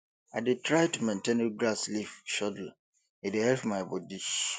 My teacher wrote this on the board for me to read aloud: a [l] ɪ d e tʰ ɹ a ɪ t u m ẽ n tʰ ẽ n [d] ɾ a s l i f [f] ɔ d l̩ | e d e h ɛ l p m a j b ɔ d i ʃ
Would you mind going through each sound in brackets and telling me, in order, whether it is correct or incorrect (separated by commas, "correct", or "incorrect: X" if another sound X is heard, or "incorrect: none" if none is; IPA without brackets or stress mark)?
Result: incorrect: none, incorrect: ɡ, incorrect: ʃ